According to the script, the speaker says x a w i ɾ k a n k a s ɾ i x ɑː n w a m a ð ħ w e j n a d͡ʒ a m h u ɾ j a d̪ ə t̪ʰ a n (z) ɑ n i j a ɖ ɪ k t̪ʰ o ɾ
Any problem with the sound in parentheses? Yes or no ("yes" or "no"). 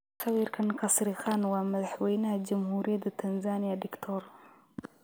no